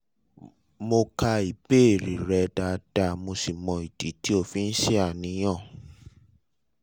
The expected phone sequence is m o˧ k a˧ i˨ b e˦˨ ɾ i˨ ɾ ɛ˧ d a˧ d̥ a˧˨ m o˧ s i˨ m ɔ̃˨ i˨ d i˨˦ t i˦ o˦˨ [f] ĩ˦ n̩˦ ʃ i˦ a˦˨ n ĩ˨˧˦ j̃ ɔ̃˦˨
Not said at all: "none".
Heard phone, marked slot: f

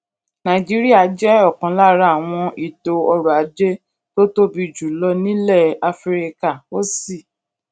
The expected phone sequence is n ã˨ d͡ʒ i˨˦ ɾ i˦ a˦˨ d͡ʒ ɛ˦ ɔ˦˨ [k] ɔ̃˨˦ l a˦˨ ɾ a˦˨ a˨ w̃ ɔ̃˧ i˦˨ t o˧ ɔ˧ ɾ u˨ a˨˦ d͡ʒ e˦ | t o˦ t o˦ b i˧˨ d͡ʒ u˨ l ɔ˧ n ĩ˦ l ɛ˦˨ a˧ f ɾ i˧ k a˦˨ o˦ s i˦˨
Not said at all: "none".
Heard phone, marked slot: k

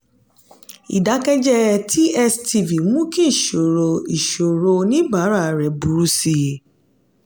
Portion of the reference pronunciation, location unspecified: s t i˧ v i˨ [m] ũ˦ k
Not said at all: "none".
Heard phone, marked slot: m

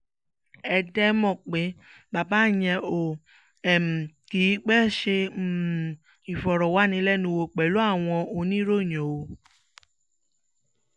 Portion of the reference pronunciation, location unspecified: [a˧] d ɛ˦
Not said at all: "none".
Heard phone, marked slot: ɛ˧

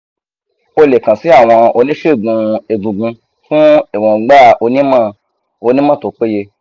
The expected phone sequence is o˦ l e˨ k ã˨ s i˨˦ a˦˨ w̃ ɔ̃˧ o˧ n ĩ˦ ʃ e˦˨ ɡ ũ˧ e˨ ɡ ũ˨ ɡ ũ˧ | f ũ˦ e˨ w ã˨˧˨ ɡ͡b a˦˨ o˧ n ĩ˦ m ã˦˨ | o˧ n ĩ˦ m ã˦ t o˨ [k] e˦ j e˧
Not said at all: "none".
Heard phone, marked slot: k͡p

